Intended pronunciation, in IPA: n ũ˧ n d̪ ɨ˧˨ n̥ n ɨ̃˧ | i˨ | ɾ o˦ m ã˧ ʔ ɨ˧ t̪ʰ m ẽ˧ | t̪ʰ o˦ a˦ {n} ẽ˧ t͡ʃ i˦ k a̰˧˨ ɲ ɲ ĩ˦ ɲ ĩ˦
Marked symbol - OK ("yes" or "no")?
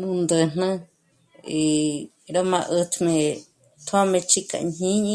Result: no